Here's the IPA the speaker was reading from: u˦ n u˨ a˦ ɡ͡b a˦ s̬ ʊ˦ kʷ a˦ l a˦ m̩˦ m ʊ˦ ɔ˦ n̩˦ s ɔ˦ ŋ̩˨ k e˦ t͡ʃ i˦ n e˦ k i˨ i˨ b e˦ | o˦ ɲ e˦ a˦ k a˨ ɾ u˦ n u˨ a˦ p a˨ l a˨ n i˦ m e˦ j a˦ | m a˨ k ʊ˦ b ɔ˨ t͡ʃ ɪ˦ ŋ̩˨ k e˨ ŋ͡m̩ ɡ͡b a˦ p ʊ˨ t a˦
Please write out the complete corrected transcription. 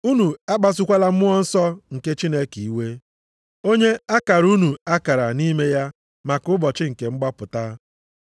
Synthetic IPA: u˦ n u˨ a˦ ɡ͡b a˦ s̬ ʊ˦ kʷ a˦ l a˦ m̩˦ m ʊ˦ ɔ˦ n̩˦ s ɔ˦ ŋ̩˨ k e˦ t͡ʃ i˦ n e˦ k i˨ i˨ w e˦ | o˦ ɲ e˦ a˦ k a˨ ɾ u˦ n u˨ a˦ k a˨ ɾ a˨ n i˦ m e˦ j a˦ | m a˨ k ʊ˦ b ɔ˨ t͡ʃ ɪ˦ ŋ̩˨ k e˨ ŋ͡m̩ ɡ͡b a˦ p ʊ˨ t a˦